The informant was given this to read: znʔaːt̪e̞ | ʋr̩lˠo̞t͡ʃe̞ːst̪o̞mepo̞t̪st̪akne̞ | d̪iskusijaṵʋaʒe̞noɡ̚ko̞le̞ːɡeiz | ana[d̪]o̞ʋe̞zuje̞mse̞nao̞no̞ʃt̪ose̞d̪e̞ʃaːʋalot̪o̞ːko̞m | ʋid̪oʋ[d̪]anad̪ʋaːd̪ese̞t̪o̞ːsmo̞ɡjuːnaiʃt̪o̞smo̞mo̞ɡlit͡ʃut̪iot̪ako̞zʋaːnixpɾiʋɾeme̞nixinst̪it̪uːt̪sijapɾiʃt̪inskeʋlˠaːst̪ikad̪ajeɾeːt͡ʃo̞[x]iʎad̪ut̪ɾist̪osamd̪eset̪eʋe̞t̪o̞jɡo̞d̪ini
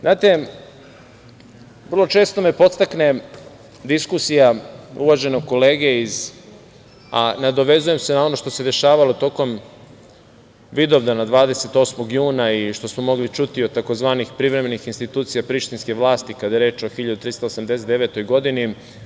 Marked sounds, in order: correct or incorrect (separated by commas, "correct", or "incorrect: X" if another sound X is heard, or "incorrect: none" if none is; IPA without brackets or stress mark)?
correct, correct, correct